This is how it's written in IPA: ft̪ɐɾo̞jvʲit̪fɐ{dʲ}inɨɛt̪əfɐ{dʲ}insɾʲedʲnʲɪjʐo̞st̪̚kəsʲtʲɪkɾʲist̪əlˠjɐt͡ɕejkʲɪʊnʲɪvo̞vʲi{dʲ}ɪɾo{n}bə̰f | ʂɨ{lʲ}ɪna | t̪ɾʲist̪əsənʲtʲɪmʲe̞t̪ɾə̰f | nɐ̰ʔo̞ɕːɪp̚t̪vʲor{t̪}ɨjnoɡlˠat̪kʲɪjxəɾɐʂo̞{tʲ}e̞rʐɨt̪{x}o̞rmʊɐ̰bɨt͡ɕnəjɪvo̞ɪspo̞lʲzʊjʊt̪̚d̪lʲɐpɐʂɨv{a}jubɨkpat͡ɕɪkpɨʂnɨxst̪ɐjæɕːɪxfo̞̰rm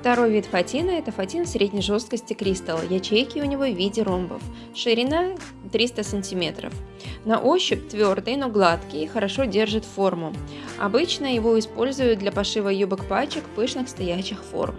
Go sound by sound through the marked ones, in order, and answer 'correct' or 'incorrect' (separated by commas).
incorrect, incorrect, correct, incorrect, incorrect, incorrect, incorrect, incorrect, incorrect